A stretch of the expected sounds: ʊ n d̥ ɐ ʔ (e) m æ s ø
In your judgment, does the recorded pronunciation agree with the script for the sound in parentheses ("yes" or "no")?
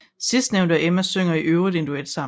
yes